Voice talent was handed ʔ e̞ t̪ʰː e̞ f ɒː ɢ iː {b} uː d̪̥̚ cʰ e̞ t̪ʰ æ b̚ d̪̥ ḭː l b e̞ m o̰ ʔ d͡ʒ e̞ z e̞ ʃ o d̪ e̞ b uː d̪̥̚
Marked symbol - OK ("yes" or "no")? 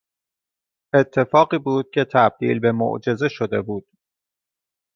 yes